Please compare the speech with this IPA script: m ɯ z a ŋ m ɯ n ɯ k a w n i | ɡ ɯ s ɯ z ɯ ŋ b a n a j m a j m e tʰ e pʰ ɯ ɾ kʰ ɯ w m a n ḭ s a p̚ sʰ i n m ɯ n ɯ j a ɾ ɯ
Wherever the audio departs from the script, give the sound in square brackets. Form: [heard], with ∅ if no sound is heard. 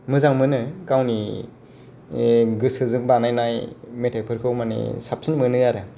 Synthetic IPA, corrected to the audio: m ɯ z a ŋ m ɯ n ɯ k a w n i | ɡ ɯ s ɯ z ɯ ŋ b a n a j [n] a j m e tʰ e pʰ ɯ ɾ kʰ ɯ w m a n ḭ s a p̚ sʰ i n m ɯ n ɯ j a ɾ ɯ